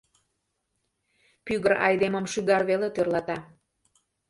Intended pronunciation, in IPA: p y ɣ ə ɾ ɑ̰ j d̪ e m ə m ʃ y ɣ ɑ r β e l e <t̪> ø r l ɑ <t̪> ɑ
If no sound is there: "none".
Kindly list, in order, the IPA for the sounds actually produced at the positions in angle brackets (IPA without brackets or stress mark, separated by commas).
t̪, t̪